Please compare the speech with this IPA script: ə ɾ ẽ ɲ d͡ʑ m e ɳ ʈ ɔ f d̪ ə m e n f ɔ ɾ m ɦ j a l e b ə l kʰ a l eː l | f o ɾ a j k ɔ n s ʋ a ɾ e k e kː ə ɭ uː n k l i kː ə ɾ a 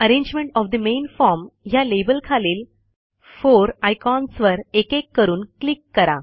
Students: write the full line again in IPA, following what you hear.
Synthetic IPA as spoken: ə ɾ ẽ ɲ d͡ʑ m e ɳ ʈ ɔ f d̪ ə m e n f ɔ ɾ m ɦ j a l e b ə l kʰ a l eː l | f o ɾ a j k ɔ n s ʋ ə ɾ e k e kː ə ɾ uː n k l i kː ə ɾ a